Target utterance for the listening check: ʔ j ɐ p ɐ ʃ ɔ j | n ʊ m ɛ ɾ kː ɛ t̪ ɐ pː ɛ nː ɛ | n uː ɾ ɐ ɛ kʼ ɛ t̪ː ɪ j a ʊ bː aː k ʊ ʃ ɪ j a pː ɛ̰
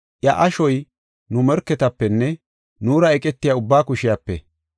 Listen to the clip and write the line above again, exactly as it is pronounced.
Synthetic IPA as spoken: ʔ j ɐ ʔ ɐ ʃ ɔ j | n ʊ m ɛ ɾ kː ɛ t̪ ɐ pː ɛ nː ɛ | n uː ɾ ɐ ɛ kʼ ɛ t̪ː ɪ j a ʊ bː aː k ʊ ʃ ɪ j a pː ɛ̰